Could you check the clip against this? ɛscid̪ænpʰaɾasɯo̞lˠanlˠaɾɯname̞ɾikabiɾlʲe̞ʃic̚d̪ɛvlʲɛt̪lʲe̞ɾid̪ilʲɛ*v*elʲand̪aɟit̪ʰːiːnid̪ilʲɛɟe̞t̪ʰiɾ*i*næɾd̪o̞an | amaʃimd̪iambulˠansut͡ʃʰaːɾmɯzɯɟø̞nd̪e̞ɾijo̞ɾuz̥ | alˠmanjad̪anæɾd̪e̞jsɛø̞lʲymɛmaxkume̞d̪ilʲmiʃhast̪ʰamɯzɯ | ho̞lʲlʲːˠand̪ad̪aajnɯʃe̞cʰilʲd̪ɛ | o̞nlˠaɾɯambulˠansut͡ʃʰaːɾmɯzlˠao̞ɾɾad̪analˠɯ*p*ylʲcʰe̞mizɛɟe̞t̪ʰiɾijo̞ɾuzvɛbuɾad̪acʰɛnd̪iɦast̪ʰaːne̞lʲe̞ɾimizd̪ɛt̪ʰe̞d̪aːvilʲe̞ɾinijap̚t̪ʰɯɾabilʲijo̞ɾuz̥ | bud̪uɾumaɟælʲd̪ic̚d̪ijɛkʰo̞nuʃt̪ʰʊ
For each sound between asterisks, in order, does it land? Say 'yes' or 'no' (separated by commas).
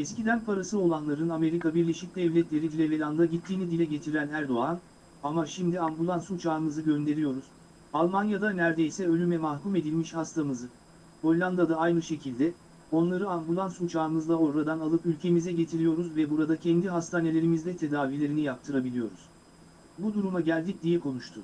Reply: yes, no, yes